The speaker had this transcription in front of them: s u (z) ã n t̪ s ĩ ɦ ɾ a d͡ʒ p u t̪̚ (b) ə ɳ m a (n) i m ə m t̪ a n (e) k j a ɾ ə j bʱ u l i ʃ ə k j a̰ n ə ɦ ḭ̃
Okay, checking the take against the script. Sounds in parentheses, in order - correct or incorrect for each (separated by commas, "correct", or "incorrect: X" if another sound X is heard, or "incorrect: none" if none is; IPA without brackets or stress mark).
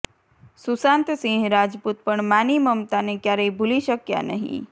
incorrect: s, incorrect: p, correct, correct